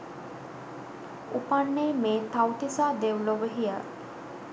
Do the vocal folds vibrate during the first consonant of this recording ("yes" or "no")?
no